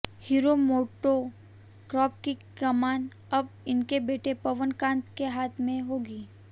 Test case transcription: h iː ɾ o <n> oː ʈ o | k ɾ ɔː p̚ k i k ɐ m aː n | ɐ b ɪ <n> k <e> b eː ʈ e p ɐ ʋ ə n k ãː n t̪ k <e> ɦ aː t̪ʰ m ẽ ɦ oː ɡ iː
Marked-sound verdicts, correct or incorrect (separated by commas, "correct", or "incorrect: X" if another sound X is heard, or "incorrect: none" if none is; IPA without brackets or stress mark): incorrect: m, correct, correct, correct